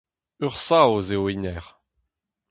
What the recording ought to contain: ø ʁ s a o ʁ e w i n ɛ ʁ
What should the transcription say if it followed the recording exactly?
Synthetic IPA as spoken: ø ʁ s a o z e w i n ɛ ʁ